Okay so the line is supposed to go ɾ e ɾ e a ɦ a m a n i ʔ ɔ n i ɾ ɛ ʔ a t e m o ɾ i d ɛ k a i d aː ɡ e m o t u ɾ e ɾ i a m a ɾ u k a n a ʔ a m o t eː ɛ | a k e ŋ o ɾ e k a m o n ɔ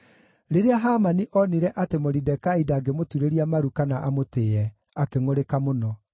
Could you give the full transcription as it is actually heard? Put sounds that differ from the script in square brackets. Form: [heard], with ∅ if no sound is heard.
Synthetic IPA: ɾ e ɾ e a ɦ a m a n i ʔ ɔ n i ɾ ɛ ʔ a t e m o ɾ i d ɛ k a i d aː ɡ e m o t u ɾ e ɾ i a m a ɾ u k a n a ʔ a m o t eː ɛ | a k e ŋ o ɾ e k a m o n ɔ

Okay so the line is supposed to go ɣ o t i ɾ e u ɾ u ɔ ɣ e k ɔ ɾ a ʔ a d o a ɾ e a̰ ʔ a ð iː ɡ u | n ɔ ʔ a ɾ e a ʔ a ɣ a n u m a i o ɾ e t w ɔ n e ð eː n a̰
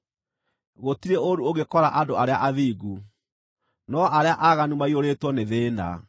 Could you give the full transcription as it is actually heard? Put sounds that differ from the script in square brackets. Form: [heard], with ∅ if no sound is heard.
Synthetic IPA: ɣ o t i ɾ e [o] ɾ u [o] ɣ e k ɔ ɾ a ʔ a d o a ɾ e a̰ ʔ a ð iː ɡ u | n ɔ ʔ a ɾ e a ʔ a ɣ a n u m a i o ɾ e t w ɔ n e ð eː n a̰

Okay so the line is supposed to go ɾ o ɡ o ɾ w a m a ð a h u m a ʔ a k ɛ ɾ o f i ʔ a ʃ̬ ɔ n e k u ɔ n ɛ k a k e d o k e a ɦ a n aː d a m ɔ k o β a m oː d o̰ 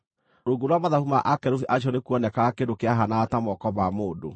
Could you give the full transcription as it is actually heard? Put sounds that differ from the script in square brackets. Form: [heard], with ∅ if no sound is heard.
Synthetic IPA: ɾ o ɡ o ɾ w a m a ð a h u m a ʔ a k ɛ ɾ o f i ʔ a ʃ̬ ɔ n e k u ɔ n ɛ k a k e d o k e a ɦ a n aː [t] a m ɔ k [ɔ] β a m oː d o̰

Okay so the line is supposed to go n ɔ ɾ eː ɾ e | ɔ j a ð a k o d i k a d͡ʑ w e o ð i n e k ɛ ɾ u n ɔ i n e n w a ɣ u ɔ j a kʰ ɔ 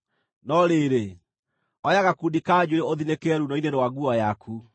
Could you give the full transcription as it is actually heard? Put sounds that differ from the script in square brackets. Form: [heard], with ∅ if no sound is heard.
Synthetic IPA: n ɔ ɾ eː ɾ e | ɔ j a [ɣ] a k [u] d i k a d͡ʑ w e o ð i n e k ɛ ɾ u n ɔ i n e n w a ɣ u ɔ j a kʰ [u]

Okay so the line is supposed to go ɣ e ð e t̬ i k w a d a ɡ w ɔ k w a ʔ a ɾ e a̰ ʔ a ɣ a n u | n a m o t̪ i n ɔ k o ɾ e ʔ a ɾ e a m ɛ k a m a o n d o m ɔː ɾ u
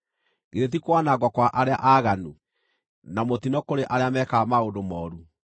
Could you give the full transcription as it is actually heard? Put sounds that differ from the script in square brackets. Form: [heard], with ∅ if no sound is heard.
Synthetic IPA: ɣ e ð e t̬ i k w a [n] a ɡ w ɔ k w a ʔ a ɾ e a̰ ʔ a ɣ a n u | n a m o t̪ i n ɔ k o ɾ e ʔ a ɾ e a m ɛ k a m a o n d o m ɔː ɾ u

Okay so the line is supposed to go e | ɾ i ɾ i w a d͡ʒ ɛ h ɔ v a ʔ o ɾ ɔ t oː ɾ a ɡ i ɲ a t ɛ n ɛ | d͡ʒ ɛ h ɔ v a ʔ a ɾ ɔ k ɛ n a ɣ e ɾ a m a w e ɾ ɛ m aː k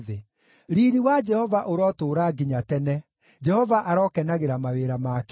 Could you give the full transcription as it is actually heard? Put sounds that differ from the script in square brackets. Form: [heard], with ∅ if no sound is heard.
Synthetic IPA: e | ɾ i ɾ i w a d͡ʒ ɛ h ɔ v a ʔ o ɾ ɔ t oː ɾ a ɡ i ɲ a t ɛ n ɛ | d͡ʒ ɛ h ɔ v a ʔ a ɾ ɔ k ɛ n a ɣ e ɾ a m a w e ɾ [a] m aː k

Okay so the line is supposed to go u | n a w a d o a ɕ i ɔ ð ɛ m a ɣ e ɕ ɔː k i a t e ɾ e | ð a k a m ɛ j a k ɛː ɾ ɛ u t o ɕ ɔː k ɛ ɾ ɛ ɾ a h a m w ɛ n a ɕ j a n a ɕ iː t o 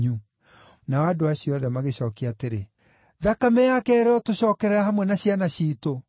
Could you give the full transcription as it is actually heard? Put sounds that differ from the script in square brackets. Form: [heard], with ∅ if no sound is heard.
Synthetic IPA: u | n a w a d o a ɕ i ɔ ð ɛ m a ɣ e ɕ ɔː k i a t e ɾ e | ð a k a m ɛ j a k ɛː ɾ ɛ [ɔ] t o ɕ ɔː k ɛ ɾ ɛ ɾ a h a m w ɛ n a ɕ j a n a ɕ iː t o

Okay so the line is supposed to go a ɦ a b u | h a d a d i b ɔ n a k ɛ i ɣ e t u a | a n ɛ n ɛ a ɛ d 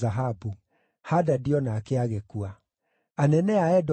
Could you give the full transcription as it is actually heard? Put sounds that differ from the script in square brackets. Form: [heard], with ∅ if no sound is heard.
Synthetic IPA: a ɦ a b u | h a d a d i [∅] ɔ n a k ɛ [a] ɣ e [k] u a | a n ɛ n ɛ a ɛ d

